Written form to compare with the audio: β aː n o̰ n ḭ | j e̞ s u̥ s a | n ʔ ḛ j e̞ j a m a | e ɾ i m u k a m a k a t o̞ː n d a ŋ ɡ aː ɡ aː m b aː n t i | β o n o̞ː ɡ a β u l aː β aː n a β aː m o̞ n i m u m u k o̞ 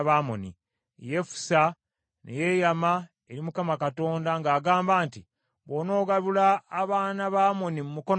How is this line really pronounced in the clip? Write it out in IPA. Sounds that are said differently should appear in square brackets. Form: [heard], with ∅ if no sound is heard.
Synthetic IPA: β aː [m] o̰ n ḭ | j e̞ [f] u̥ s a | n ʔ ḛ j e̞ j a m a | e ɾ i m u k a m a k a t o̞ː n d a ŋ ɡ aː ɡ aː m b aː n t i | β o n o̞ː ɡ a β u l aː β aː n a β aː m o̞ n i m u m u k o̞